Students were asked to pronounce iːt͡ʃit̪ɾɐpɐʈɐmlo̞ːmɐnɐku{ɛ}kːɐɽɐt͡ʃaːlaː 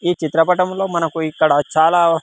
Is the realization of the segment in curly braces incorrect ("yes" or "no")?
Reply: yes